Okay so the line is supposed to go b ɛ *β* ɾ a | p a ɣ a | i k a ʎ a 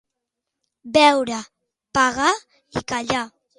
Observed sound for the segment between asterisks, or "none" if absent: w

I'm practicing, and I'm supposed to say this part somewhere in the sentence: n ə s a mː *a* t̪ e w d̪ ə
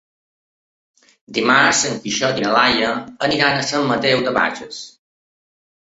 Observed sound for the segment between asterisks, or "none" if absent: ə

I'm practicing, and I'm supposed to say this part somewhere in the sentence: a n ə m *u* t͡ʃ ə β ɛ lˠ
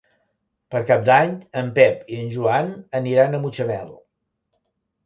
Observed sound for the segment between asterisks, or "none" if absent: u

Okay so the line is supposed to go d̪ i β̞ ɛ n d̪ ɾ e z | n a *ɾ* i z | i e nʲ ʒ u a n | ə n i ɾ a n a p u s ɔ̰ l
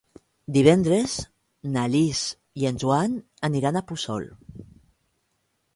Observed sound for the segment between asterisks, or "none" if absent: l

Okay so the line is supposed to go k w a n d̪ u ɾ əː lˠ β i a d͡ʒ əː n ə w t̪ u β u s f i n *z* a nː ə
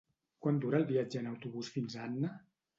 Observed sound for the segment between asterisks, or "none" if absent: z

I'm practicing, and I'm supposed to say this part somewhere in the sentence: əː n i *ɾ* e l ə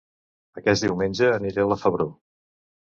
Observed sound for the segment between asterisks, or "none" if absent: ɾ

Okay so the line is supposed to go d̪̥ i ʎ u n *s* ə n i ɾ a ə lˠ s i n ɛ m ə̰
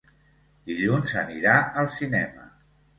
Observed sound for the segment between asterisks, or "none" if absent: z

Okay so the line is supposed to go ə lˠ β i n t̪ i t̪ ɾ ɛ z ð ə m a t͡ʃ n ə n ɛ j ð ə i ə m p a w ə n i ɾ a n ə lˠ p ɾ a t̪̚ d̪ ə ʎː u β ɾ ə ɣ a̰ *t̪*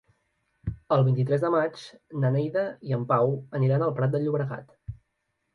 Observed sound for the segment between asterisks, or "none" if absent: t̪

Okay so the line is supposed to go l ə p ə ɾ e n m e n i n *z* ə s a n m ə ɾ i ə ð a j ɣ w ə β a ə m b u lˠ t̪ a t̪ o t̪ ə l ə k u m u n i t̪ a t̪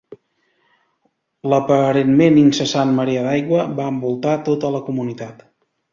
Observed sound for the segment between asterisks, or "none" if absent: s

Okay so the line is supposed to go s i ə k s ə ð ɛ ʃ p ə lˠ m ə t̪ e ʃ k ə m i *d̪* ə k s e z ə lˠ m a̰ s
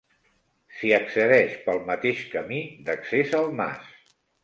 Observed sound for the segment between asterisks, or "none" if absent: d̪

